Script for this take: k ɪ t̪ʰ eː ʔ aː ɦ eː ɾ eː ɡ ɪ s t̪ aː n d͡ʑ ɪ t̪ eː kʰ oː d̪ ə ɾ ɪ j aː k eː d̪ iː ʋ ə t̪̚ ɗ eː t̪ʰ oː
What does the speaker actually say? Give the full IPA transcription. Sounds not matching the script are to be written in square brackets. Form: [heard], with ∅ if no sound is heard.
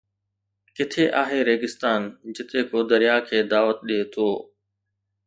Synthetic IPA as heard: k ɪ t̪ʰ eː ʔ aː ɦ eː ɾ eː ɡ ɪ s t̪ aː n d͡ʑ ɪ t̪ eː [k] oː d̪ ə ɾ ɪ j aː [kʰ] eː d̪ [aː] ʋ ə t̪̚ ɗ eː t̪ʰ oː